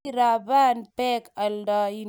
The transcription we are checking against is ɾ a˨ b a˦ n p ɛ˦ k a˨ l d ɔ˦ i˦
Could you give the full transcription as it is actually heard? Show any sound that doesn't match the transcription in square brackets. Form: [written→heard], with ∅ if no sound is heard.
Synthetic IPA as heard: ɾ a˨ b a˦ n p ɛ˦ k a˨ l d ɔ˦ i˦